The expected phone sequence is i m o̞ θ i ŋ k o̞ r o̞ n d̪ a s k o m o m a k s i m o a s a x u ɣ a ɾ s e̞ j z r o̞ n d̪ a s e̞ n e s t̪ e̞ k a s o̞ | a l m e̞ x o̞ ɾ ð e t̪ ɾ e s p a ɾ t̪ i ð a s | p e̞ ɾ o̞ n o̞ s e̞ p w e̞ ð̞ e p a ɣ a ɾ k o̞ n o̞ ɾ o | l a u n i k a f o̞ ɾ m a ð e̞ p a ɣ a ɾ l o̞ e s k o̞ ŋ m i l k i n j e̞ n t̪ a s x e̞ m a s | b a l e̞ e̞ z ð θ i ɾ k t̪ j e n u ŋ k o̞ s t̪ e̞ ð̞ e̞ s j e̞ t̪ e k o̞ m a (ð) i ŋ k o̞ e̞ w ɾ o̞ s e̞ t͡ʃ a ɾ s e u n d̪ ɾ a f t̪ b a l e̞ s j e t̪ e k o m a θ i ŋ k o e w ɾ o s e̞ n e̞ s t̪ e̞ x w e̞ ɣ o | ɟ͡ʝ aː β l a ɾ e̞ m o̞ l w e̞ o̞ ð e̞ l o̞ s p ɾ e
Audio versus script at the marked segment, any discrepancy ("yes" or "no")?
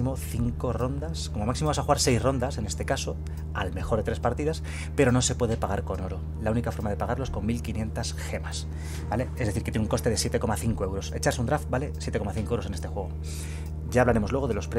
yes